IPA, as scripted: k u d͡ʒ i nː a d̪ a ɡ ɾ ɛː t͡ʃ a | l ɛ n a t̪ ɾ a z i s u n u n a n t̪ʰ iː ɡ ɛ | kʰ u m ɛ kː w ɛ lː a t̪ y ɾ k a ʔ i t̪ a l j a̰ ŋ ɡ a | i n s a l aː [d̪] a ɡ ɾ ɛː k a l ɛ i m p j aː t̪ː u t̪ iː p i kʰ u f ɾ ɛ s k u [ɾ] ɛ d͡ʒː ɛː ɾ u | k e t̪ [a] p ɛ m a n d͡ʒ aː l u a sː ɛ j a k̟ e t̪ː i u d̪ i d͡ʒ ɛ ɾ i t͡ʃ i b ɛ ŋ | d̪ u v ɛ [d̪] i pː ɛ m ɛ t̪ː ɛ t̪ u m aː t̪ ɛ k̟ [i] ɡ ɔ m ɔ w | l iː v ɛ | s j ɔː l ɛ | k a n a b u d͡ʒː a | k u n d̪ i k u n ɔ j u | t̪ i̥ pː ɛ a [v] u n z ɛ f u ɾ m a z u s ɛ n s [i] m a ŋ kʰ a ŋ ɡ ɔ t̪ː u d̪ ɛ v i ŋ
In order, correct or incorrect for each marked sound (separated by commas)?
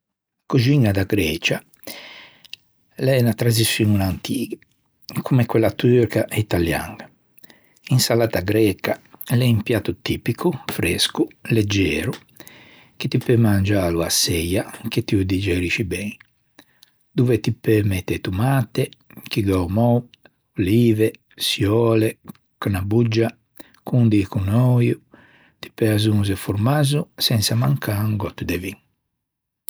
incorrect, incorrect, incorrect, incorrect, correct, incorrect, incorrect